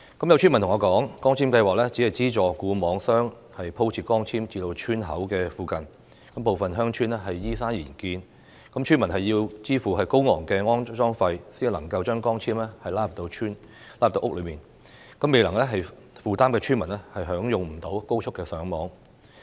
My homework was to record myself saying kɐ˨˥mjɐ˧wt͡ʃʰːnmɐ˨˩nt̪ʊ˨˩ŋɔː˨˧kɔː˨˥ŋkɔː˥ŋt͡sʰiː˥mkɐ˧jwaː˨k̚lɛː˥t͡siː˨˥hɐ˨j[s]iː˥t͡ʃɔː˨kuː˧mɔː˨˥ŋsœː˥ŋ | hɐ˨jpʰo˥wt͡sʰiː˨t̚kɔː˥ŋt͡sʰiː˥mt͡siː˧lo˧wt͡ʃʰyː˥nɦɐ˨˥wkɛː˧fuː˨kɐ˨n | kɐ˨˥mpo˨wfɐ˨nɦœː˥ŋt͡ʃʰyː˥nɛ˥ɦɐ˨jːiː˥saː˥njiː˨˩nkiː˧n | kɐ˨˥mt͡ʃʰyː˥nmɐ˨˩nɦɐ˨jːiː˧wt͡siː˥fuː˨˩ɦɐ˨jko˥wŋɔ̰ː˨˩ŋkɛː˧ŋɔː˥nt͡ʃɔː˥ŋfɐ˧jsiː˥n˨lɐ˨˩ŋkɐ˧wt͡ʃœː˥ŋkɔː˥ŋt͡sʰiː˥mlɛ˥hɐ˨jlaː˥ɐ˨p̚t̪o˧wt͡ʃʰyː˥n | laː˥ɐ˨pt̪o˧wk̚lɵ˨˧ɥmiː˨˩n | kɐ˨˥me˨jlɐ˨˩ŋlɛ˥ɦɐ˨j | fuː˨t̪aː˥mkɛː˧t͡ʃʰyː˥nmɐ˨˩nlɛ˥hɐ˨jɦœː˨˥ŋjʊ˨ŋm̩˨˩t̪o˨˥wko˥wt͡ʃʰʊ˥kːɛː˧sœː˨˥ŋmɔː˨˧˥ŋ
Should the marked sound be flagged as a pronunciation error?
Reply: yes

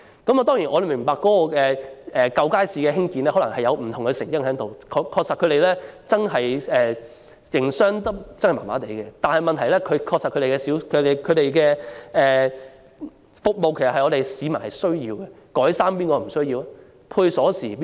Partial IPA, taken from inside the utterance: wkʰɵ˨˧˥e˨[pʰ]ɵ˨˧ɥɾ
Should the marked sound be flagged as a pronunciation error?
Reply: yes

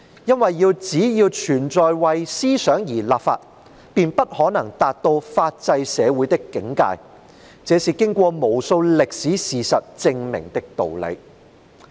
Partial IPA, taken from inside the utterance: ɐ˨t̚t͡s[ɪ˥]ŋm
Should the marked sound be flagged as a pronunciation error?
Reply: yes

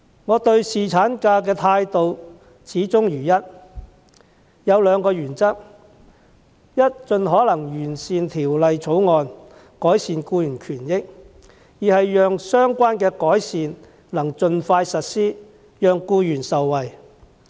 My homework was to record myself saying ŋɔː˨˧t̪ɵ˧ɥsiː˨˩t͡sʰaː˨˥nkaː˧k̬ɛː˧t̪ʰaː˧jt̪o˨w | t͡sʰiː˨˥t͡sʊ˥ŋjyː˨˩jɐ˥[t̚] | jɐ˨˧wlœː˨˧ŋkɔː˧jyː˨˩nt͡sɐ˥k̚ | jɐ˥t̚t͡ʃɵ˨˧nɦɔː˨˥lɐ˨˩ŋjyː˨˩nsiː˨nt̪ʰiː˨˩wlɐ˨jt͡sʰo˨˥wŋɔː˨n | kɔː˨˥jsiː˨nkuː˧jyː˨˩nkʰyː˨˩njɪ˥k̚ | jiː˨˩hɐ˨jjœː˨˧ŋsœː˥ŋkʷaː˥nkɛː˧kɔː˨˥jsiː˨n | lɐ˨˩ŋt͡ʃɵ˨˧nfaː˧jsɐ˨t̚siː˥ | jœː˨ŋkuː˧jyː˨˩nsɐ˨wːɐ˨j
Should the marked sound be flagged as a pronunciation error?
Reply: no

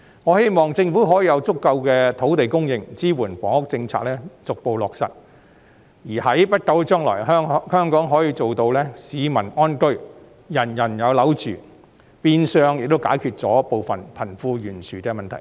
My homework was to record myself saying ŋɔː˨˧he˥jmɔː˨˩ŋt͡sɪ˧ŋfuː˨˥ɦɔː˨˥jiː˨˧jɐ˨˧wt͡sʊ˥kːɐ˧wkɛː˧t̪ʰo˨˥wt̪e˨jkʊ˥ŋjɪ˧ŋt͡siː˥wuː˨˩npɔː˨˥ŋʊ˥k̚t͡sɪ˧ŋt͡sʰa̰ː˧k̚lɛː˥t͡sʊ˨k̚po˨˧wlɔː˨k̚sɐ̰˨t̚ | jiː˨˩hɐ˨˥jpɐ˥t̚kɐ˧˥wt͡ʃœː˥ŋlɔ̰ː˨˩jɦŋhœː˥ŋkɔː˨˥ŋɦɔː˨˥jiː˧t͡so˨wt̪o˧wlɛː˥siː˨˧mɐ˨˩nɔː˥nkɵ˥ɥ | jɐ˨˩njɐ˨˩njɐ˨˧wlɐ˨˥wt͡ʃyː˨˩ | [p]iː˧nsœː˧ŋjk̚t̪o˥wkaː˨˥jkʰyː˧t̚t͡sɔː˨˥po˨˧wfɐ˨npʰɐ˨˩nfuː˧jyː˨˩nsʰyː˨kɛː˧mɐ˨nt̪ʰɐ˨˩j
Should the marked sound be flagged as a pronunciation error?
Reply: no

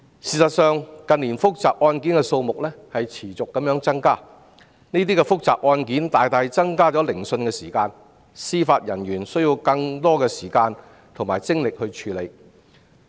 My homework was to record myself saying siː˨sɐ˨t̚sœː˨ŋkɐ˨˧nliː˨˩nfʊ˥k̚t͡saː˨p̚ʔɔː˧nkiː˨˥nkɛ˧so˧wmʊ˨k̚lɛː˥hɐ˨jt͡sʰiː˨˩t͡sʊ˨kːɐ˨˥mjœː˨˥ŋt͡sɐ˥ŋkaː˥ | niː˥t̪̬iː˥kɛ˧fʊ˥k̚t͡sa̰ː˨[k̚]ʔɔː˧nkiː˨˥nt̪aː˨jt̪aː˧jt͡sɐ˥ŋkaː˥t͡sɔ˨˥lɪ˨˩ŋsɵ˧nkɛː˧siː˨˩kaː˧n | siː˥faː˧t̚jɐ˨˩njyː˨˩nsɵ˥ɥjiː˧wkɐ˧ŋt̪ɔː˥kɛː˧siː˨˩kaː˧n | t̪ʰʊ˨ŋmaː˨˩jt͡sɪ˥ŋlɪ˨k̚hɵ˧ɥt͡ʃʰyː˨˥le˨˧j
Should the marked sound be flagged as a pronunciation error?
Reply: yes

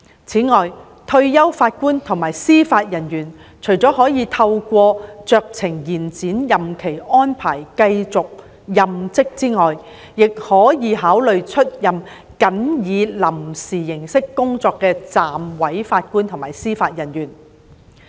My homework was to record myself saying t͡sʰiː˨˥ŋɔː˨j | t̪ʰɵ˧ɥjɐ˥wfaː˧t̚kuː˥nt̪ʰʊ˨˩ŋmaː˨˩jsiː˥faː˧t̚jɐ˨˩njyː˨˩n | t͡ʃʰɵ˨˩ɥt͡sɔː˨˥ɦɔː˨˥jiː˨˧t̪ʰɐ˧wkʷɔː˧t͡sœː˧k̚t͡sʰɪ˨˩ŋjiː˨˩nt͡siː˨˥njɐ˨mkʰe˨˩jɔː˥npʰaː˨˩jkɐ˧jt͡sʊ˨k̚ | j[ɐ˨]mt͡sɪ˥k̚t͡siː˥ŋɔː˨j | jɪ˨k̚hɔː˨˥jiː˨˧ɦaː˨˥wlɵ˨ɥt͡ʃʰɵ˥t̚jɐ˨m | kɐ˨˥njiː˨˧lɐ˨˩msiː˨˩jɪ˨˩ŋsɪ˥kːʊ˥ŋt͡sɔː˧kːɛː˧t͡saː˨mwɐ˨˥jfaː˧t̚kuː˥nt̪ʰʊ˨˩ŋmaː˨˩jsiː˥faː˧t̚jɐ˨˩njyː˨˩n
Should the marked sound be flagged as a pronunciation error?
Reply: no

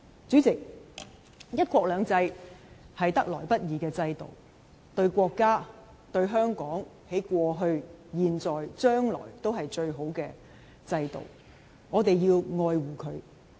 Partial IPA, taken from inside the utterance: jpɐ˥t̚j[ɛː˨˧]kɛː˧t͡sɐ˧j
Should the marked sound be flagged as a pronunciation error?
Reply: yes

